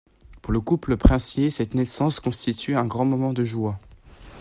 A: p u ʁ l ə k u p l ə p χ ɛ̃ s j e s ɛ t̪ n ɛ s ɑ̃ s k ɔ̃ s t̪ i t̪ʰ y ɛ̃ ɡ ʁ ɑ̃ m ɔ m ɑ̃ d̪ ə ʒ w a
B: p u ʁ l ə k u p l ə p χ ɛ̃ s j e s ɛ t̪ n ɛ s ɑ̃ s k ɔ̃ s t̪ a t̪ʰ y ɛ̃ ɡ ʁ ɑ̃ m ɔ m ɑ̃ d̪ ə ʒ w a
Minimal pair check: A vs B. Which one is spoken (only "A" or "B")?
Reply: A